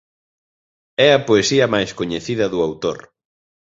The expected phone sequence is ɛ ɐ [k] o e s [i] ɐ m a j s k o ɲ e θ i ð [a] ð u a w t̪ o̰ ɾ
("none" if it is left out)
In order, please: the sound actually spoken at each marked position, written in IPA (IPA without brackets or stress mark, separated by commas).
p, i, ɐ